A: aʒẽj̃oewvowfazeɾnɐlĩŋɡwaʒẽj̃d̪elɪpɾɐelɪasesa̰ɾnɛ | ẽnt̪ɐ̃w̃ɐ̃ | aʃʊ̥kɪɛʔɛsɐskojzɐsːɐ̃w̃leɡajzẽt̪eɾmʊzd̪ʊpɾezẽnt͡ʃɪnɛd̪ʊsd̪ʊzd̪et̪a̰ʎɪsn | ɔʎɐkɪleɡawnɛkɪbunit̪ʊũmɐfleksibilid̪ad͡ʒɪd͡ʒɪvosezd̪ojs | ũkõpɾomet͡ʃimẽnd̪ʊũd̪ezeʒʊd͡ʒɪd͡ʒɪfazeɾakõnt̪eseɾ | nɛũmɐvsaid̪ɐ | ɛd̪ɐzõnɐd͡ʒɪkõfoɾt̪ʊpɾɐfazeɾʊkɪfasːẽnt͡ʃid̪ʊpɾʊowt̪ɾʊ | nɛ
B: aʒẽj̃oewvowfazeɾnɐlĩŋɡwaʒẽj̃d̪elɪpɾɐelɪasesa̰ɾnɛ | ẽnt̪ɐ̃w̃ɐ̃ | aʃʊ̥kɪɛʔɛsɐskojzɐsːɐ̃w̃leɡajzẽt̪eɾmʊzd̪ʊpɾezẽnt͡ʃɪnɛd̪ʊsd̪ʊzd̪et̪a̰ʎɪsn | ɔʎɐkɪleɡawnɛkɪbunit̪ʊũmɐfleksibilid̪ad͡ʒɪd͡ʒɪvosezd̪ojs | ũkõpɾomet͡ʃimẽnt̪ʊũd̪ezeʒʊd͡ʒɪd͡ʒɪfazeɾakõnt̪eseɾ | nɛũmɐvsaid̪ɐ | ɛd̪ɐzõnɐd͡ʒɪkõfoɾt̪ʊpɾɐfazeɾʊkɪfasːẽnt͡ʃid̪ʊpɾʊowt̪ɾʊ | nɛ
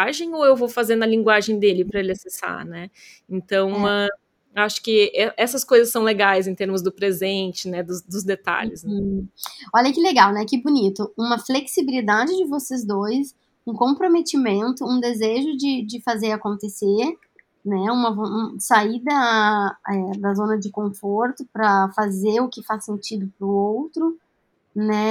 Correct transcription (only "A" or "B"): B